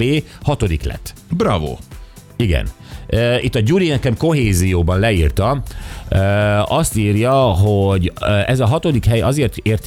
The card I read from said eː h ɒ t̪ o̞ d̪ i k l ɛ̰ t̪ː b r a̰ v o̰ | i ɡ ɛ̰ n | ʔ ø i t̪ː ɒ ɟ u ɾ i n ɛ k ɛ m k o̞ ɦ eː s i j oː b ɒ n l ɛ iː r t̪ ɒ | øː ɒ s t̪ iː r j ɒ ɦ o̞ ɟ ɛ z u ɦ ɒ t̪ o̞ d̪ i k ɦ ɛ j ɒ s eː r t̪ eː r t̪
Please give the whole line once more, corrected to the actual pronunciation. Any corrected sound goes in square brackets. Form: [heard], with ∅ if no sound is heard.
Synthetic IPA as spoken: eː h ɒ t̪ o̞ d̪ i k l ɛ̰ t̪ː b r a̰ v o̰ | i ɡ ɛ̰ n | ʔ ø i t̪ː ɒ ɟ u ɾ i n ɛ k ɛ m k o̞ ɦ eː [z] i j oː b ɒ n l ɛ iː r t̪ ɒ | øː ɒ s t̪ iː r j ɒ ɦ o̞ ɟ ɛ z [ɒ] ɦ ɒ t̪ o̞ d̪ i k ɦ ɛ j ɒ [z] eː r t̪ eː r t̪